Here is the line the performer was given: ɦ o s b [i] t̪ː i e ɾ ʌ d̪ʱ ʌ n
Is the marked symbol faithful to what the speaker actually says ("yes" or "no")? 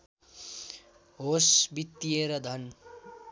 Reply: yes